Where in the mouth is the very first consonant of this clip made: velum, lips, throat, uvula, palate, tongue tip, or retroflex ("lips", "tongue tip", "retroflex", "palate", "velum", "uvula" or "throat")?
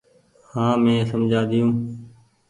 throat